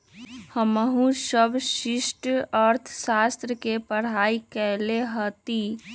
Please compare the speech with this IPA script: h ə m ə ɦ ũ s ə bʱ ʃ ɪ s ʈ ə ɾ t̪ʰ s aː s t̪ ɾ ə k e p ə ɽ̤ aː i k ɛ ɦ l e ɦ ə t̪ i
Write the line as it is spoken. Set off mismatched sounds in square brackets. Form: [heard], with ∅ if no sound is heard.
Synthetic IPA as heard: h ə m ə ɦ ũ s ə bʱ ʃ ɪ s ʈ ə ɾ t̪ʰ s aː s t̪ ɾ ə k e p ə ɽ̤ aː i k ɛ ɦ l e ɦ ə t̪ i